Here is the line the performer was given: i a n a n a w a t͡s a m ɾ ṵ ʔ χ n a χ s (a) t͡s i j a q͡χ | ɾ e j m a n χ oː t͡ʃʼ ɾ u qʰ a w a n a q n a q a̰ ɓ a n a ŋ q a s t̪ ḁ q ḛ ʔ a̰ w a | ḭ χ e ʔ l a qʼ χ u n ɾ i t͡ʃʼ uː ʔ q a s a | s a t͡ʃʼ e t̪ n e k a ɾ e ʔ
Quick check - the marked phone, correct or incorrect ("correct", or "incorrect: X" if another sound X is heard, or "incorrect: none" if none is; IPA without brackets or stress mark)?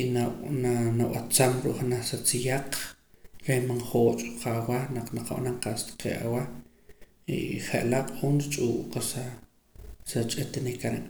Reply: correct